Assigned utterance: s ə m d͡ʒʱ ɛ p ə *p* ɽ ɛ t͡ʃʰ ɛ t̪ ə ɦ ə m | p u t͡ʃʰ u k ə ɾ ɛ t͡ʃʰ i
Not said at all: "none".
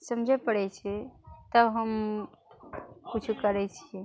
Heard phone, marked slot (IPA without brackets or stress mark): none